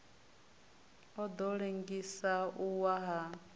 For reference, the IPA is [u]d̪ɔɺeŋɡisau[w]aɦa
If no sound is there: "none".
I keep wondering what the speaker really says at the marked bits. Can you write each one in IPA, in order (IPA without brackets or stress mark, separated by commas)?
ɔ, w